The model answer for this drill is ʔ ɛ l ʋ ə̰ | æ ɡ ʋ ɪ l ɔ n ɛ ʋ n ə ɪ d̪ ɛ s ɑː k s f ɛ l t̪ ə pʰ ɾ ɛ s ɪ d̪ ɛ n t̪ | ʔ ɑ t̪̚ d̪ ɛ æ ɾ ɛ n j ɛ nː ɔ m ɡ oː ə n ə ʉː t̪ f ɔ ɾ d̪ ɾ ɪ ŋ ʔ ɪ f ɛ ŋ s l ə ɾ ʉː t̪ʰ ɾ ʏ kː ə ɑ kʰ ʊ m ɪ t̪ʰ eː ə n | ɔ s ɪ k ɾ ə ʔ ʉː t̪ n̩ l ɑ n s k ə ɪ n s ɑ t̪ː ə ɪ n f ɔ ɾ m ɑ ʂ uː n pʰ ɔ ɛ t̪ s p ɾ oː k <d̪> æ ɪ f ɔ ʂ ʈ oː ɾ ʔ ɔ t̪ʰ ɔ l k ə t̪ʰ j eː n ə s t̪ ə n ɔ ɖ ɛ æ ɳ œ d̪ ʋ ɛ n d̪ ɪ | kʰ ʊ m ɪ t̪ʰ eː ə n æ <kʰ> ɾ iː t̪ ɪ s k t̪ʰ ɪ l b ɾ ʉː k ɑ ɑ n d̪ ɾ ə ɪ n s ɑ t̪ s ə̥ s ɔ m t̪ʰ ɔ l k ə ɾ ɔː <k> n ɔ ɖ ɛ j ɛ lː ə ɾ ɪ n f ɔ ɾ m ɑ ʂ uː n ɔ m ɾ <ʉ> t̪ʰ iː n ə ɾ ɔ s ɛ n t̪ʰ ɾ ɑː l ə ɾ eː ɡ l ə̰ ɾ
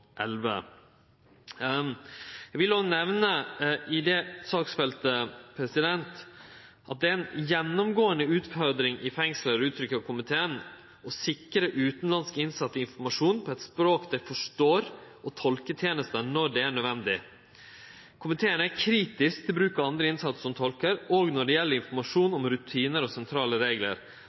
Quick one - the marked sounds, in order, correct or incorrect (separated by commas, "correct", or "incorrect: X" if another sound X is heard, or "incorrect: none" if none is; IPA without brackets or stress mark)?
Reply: correct, correct, incorrect: ɡ, correct